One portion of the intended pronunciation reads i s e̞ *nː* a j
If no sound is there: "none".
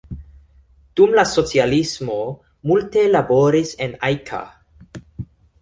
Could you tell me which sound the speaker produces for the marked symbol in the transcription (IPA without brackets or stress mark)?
n